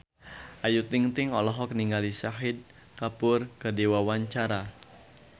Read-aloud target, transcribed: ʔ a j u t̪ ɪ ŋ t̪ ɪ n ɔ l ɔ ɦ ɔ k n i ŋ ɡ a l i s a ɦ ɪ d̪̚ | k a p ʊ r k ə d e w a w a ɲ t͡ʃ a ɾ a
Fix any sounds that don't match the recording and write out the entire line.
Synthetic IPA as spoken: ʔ a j u t̪ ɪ ŋ t̪ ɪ ŋ ɔ l ɔ ɦ ɔ k n i ŋ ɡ a l i s a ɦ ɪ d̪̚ | k a p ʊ r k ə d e w a w a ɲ t͡ʃ a ɾ a